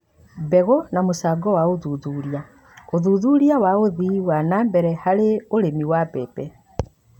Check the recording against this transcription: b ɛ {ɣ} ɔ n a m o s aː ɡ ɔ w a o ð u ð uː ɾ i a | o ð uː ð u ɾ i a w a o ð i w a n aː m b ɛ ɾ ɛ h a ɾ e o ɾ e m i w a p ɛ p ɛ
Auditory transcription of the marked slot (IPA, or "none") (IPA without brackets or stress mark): ɣ